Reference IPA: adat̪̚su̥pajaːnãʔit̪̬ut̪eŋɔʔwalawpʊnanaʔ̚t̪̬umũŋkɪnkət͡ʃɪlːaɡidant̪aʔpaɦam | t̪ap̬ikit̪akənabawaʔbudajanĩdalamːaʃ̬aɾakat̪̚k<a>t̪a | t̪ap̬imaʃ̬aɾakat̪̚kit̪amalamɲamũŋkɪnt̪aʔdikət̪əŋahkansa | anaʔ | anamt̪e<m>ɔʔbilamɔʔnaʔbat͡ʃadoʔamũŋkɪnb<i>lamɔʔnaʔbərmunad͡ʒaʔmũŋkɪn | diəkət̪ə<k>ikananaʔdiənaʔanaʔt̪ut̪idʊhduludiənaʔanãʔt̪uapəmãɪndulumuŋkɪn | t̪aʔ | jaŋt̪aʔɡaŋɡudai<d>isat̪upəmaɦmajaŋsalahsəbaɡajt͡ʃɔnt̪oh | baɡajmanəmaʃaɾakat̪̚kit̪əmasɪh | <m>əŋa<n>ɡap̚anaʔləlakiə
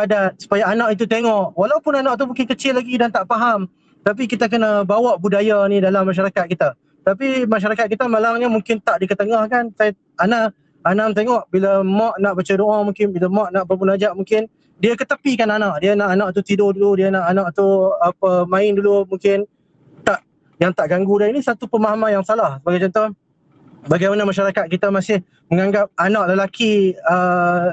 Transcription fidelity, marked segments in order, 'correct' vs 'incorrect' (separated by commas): incorrect, incorrect, correct, incorrect, incorrect, correct, incorrect